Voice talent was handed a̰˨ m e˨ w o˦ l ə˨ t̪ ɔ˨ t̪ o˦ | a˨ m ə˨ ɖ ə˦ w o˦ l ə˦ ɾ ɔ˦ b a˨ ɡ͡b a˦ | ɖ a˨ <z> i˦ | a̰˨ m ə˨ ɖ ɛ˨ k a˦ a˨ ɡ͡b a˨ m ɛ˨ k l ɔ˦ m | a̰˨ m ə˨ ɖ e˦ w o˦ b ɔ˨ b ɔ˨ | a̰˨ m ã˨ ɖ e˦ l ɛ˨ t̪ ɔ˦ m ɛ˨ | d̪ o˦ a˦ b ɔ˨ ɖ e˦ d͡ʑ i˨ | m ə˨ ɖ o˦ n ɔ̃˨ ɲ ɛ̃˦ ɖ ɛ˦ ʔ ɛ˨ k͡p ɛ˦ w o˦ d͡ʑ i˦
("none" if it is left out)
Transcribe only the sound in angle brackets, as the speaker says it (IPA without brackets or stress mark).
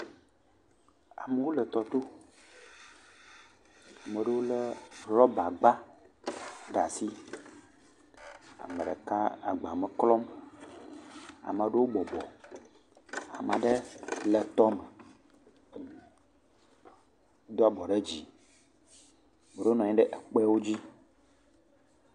s